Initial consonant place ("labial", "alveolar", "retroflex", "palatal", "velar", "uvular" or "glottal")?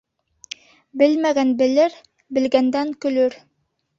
labial